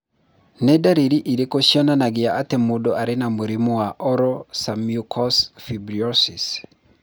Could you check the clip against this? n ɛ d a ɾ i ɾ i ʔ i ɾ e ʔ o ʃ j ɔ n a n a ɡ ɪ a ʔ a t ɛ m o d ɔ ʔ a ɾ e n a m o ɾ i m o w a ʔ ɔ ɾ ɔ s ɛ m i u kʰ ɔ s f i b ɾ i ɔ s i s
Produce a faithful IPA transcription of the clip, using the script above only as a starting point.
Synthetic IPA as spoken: n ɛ d a ɾ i ɾ i ʔ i ɾ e k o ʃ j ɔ n a n a ɡ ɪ a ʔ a t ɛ m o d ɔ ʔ a ɾ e n a m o ɾ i m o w a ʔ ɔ ɾ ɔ s a m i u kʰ ɔ s f i b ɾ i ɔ s i s

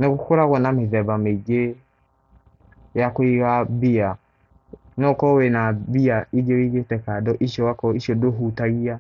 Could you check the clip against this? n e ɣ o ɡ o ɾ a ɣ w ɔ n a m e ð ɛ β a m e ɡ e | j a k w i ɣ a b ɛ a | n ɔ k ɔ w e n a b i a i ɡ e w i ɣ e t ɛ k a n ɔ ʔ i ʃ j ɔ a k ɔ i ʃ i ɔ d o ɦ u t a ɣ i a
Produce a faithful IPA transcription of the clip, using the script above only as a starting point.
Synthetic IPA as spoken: n e ɣ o k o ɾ a ɣ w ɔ n a m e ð ɛ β a m e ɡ e | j a k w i ɣ a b i a | n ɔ k ɔ w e n a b i a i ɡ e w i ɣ e t ɛ k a d ɔ ʔ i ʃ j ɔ a k ɔ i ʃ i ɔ d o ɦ u t a ɣ i a

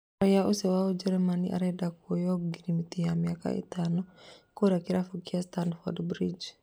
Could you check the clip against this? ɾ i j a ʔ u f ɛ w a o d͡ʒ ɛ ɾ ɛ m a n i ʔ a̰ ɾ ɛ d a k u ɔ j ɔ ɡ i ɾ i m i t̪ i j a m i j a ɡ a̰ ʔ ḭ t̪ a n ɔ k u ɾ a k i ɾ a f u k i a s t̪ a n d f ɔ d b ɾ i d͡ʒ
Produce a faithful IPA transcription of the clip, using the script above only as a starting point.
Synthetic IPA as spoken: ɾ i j a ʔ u s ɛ w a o d͡ʒ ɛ ɾ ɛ m a n i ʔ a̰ ɾ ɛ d a k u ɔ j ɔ ɡ i ɾ i m i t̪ i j a m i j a k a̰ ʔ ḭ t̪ a n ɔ k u ɾ a k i ɾ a f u k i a s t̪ a n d f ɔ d b ɾ i d͡ʒ

